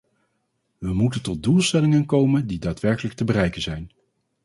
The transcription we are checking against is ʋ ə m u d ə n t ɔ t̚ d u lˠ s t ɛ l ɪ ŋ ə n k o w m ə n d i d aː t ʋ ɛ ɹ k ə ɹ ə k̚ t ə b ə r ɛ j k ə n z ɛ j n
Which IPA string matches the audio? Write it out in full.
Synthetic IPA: ʋ ə m u t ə n t ɔ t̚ d u lˠ s t ɛ l ɪ ŋ ə n k o w m ə n d i d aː t ʋ ɛ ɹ k ə l ə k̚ t ə b ə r ɛ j k ə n z ɛ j n